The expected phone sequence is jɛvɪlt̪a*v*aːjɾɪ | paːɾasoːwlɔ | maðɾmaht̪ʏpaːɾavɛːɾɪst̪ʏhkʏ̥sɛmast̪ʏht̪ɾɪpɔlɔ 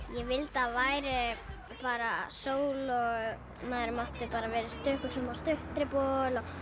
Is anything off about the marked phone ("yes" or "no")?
no